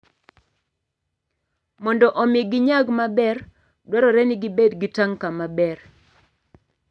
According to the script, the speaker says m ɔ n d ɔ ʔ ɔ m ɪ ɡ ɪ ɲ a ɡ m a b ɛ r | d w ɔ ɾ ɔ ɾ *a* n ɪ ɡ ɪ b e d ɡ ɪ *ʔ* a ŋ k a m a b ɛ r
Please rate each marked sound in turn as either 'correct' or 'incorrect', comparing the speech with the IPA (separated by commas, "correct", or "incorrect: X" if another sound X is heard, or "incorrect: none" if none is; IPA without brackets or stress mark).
incorrect: ɛ, incorrect: t